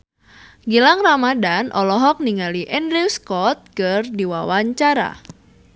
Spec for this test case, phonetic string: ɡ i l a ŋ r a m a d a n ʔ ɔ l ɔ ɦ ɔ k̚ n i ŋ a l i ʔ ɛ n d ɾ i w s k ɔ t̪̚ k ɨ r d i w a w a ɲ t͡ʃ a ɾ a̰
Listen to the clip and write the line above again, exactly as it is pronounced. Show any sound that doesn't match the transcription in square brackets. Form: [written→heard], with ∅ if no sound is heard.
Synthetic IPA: ɡ i l a ŋ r a m a d a n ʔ ɔ l ɔ ɦ ɔ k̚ n i ŋ a l i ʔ ɛ n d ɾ i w s k ɔ t̪̚ k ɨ r d i w a w a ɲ t͡ʃ a ɾ a̰